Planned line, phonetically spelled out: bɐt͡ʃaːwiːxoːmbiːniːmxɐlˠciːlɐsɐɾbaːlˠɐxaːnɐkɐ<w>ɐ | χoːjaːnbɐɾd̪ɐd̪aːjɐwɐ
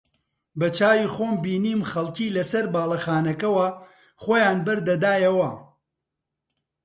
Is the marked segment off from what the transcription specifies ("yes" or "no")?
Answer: no